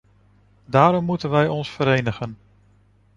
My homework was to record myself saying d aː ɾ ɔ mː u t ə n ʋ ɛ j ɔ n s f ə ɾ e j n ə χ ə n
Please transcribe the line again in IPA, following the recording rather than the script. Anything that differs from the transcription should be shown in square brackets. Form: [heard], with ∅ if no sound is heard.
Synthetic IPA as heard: d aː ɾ ɔ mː u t ə n ʋ ɛ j ɔ n s f ə ɾ e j n ə χ ə n